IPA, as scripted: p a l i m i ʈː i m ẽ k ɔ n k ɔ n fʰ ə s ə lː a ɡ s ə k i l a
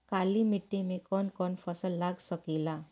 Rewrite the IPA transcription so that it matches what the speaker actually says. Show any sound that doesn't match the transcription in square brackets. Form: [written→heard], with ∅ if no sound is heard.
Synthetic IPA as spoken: [p→k] a l i m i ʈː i m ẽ k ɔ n k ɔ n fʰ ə s ə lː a ɡ s ə k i l a